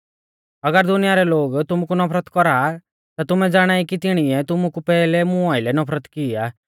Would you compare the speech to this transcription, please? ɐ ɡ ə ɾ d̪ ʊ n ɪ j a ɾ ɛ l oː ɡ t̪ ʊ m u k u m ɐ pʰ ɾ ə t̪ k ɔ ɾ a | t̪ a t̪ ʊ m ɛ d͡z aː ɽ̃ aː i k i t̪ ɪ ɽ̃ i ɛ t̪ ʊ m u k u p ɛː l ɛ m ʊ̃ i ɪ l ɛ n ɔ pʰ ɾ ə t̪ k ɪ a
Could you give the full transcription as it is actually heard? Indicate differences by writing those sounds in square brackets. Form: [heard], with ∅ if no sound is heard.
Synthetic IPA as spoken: ɐ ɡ ə ɾ d̪ ʊ n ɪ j a ɾ ɛ l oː ɡ t̪ ʊ m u k u [n] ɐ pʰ ɾ ə t̪ k ɔ ɾ a | t̪ a t̪ ʊ m ɛ d͡z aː ɽ̃ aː i k i t̪ ɪ ɽ̃ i ɛ t̪ ʊ m u k u p ɛː l ɛ m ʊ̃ [a] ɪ l ɛ n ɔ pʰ ɾ ə t̪ k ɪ a